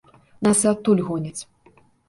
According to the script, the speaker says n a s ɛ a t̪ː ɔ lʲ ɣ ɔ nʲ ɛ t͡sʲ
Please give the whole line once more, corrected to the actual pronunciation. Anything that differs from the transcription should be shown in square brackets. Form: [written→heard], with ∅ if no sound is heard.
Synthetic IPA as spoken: n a s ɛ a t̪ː [ɔ→u] lʲ ɣ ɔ nʲ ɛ t͡sʲ

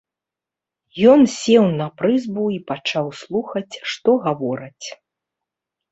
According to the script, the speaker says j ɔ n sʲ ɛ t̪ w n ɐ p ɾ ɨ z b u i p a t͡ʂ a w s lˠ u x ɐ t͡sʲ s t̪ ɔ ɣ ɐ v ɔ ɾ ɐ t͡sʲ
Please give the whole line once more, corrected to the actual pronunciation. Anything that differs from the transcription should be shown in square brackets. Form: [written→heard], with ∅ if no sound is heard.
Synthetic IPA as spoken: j ɔ n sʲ ɛ [t̪→∅] w n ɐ p ɾ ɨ z b u i p a t͡ʂ a w s lˠ u x ɐ t͡sʲ [s→ʂ] t̪ ɔ ɣ [ɐ→a] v ɔ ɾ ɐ t͡sʲ

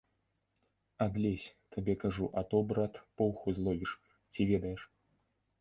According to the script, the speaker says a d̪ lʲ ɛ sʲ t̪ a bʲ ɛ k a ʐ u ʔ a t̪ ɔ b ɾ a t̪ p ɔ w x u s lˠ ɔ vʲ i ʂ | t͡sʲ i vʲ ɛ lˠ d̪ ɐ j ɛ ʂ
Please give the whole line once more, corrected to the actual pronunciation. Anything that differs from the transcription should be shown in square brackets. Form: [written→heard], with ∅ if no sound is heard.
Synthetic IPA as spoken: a d̪ lʲ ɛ sʲ t̪ a bʲ ɛ k a ʐ u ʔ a t̪ ɔ b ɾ a t̪ p ɔ w x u [s→z] lˠ ɔ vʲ i ʂ | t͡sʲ i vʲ ɛ [lˠ→∅] d̪ ɐ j ɛ ʂ

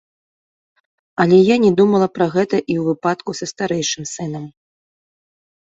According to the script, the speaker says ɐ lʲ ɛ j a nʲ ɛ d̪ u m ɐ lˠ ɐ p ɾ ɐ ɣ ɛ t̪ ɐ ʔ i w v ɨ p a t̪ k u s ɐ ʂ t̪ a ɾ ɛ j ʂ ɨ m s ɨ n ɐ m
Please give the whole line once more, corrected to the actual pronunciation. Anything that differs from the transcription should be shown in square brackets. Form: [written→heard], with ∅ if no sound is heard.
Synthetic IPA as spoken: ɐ lʲ ɛ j a nʲ ɛ d̪ u m ɐ lˠ ɐ p ɾ ɐ ɣ ɛ t̪ ɐ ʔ i w v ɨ p a t̪ k u s ɐ [ʂ→s] t̪ a ɾ ɛ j ʂ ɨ m s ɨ n ɐ m

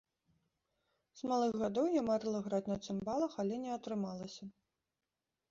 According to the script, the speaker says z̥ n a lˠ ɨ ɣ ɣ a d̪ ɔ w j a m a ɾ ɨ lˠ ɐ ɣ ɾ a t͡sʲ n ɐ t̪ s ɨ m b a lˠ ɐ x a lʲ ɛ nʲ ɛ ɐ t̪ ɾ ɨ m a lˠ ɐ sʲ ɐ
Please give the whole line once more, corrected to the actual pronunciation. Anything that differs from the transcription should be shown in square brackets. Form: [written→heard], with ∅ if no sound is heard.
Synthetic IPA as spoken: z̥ [n→m] a lˠ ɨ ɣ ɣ a d̪ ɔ w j a m a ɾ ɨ lˠ ɐ ɣ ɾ a t͡sʲ n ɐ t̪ s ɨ m b a lˠ ɐ x a lʲ ɛ nʲ ɛ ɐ t̪ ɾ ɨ m a lˠ ɐ sʲ ɐ

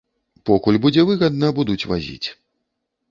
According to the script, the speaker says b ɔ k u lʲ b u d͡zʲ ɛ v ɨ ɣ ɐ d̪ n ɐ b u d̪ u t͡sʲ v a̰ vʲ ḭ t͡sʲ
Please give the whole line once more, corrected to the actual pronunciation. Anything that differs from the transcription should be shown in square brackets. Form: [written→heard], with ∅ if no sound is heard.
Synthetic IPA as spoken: [b→p] ɔ k u lʲ b u d͡zʲ ɛ v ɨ ɣ ɐ d̪ n ɐ b u d̪ u t͡sʲ v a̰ [vʲ→zʲ] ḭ t͡sʲ

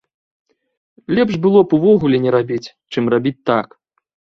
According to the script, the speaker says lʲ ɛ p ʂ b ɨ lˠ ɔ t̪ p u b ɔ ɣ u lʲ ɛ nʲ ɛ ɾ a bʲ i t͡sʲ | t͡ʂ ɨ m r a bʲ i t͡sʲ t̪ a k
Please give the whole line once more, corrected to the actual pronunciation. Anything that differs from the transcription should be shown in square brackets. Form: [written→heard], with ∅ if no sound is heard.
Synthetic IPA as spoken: lʲ ɛ p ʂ b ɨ lˠ ɔ [t̪→∅] p u [b→v] ɔ ɣ u lʲ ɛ nʲ ɛ ɾ a bʲ i t͡sʲ | t͡ʂ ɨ m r a bʲ i t͡sʲ t̪ a k

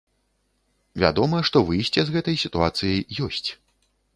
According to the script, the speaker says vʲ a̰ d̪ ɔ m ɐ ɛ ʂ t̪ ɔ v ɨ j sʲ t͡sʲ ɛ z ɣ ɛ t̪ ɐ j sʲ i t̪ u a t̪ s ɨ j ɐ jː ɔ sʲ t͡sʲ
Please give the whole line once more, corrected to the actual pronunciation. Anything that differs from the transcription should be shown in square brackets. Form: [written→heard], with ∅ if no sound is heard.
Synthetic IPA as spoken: vʲ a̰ d̪ ɔ m ɐ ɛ ʂ t̪ ɔ v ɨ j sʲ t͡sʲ ɛ z ɣ ɛ t̪ ɐ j sʲ i t̪ u a t̪ s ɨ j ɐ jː ɔ sʲ t͡sʲ

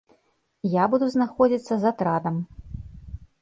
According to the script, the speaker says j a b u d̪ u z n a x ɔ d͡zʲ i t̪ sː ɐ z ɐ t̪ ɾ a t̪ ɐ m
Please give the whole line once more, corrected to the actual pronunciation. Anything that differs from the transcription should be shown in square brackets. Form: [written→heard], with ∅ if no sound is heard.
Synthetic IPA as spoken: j a b u d̪ u z n a x ɔ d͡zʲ i t̪ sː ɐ z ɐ t̪ ɾ a [t̪→d̪] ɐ m

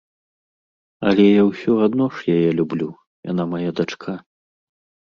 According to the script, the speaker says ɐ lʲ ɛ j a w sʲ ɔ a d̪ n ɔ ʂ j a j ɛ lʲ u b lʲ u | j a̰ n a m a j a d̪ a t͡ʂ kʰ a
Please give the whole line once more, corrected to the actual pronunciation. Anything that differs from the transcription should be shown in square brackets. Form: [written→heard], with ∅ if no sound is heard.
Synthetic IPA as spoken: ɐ lʲ ɛ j a w sʲ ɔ a d̪ n ɔ ʂ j a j ɛ lʲ u b lʲ u | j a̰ n a m a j a d̪ a t͡ʂ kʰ a

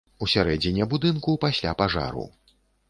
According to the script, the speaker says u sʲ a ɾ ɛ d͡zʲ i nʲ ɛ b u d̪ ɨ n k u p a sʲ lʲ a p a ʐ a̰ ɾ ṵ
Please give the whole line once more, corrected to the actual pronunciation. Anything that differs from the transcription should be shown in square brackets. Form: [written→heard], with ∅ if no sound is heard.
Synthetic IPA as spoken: u sʲ a ɾ ɛ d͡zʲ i nʲ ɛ b u d̪ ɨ n k u p a sʲ lʲ a p a ʐ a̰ ɾ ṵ

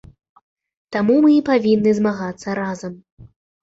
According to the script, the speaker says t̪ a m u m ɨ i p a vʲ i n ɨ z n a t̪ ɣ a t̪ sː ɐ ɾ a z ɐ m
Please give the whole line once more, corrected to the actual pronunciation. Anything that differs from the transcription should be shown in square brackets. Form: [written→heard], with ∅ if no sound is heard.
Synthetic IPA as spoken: t̪ a m u m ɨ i p a vʲ i [n→nː] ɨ z [n→m] a [t̪→∅] ɣ a t̪ sː ɐ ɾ a z ɐ m

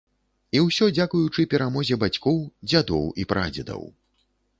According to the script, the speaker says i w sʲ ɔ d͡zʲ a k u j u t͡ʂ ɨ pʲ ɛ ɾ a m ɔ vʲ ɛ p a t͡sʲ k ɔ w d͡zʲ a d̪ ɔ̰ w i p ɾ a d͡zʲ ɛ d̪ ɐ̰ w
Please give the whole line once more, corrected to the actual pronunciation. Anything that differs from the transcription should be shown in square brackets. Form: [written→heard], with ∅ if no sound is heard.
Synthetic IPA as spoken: i w sʲ ɔ d͡zʲ a k u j u t͡ʂ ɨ pʲ ɛ ɾ a m ɔ [vʲ→zʲ] ɛ [p→b] a t͡sʲ k ɔ w d͡zʲ a d̪ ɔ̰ w i p ɾ a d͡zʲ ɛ d̪ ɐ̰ w

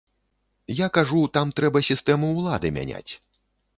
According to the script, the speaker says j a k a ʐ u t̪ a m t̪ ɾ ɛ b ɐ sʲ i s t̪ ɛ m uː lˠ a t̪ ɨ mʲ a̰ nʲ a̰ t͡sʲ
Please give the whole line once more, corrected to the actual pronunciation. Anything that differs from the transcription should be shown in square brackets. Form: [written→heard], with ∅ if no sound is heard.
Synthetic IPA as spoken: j a k a ʐ u t̪ a m t̪ ɾ ɛ b ɐ sʲ i s t̪ ɛ m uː lˠ a [t̪→d̪] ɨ mʲ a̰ nʲ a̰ t͡sʲ

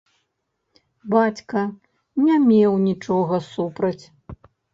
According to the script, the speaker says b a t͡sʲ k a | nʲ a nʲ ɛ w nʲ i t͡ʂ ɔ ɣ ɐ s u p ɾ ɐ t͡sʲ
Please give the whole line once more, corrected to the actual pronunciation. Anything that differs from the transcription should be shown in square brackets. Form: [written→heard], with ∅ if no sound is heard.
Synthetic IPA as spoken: b a t͡sʲ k [a→ɐ] | nʲ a [nʲ→mʲ] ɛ w nʲ i t͡ʂ ɔ ɣ ɐ s u p ɾ ɐ t͡sʲ

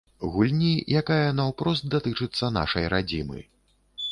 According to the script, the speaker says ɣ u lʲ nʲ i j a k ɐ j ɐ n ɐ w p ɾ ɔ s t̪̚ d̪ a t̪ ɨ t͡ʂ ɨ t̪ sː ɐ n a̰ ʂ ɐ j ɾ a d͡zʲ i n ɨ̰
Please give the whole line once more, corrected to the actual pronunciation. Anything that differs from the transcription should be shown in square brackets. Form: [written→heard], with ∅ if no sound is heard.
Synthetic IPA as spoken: ɣ u lʲ nʲ i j a k [ɐ→a] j ɐ n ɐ w p ɾ ɔ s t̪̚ d̪ a t̪ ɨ t͡ʂ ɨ t̪ sː ɐ n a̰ ʂ ɐ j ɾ a d͡zʲ i [n→m] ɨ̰

